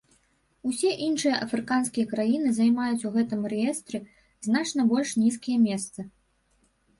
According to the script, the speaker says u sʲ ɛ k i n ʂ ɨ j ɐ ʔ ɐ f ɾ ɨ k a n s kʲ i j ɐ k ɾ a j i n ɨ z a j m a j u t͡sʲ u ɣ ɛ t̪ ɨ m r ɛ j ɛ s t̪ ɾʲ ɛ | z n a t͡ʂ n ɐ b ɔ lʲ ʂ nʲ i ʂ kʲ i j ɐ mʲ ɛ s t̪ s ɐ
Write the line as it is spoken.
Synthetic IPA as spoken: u sʲ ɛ ʔ i n ʂ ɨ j ɐ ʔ ɐ f ɾ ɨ k a n s kʲ i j ɐ k ɾ a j i n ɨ z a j m a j u t͡sʲ u ɣ ɛ t̪ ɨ m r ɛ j ɛ s t̪ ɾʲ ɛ | z n a t͡ʂ n ɐ b ɔ lʲ ʂ nʲ i s kʲ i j ɐ mʲ ɛ s t̪ s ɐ